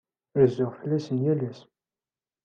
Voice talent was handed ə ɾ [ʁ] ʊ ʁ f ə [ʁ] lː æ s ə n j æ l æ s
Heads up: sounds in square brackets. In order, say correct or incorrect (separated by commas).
incorrect, incorrect